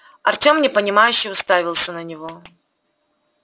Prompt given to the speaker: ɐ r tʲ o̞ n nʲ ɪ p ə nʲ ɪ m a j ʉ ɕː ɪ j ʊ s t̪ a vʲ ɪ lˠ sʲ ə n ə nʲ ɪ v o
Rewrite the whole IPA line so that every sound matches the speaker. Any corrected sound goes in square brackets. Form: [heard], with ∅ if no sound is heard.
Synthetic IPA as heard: ɐ r tʲ o̞ [m] nʲ ɪ p ə nʲ ɪ m a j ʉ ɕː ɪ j ʊ s t̪ a vʲ ɪ lˠ sʲ ə n ə nʲ ɪ v o